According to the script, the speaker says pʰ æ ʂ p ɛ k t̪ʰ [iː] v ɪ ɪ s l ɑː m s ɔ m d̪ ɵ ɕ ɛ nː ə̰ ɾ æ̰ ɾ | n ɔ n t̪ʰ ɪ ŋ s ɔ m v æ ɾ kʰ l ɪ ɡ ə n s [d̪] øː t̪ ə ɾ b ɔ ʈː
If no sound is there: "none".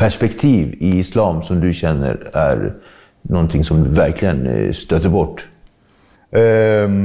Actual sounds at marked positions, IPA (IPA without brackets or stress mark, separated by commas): iː, t̪